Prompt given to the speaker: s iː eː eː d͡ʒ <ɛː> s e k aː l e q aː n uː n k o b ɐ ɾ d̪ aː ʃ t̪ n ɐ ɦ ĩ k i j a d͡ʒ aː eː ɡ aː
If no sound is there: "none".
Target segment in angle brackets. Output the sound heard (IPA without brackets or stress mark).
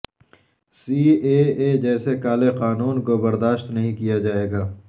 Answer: ɛː